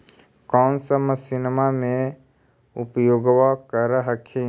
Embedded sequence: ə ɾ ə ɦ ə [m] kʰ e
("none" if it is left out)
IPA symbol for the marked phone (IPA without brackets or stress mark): none